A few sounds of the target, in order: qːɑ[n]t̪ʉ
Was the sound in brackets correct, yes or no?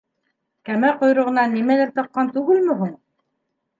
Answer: yes